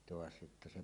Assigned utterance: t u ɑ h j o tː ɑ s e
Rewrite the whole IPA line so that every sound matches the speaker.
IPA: t o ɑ s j o tː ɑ s e